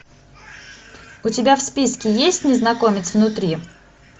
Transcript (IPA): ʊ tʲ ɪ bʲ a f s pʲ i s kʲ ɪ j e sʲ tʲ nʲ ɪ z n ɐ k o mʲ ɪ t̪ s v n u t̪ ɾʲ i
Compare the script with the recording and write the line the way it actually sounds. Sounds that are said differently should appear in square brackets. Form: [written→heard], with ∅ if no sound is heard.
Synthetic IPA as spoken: ʊ tʲ ɪ bʲ a f s pʲ i s kʲ ɪ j e sʲ tʲ nʲ ɪ z n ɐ k o mʲ ɪ t̪ s v n [u→ʊ] t̪ ɾʲ i